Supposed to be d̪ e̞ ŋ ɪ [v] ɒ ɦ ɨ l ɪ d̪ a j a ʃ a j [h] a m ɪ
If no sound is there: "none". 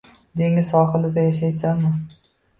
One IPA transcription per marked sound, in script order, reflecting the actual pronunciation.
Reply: z, s

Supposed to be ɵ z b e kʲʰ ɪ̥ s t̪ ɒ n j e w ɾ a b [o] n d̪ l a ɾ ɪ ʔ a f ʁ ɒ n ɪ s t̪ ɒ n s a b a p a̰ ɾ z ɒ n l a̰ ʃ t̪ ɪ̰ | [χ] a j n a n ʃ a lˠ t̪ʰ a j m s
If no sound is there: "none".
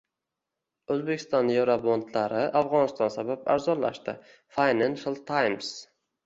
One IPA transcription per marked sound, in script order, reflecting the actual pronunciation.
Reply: o, f

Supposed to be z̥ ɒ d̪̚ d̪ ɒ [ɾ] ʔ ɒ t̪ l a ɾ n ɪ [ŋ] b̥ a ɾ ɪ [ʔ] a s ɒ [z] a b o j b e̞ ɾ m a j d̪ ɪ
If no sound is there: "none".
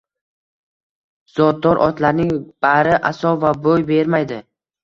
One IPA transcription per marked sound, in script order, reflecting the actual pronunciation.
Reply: ɾ, ŋ, ʔ, v

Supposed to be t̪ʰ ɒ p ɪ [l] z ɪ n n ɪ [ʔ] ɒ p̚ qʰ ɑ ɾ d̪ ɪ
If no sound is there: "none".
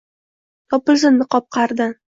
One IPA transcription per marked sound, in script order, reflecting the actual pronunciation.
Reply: l, q

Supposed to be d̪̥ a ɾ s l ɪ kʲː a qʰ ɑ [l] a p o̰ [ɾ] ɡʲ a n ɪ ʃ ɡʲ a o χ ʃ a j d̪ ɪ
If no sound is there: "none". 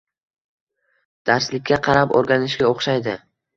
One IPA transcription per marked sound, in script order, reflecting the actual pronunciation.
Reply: ɾ, ɾ

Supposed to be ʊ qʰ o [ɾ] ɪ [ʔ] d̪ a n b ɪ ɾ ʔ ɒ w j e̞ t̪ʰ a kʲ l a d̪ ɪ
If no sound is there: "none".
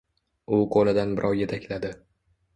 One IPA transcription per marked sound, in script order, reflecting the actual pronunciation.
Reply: l, none

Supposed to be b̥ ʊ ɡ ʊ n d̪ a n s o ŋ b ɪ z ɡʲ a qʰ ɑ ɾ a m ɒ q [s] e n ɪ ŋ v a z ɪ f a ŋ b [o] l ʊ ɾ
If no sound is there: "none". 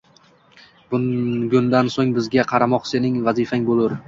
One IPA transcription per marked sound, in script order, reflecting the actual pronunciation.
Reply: s, o

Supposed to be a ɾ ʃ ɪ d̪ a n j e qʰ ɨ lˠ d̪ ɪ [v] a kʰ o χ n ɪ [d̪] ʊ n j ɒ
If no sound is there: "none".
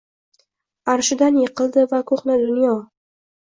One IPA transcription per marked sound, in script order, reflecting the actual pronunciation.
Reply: v, d̪

